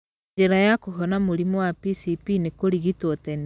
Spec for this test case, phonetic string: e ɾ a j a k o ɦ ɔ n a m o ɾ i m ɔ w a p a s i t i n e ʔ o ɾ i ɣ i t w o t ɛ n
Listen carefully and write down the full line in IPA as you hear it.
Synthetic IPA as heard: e ɾ a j a k o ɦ ɔ n a m o ɾ i m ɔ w a p i s i p i n e k o ɾ i ɣ i t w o t ɛ n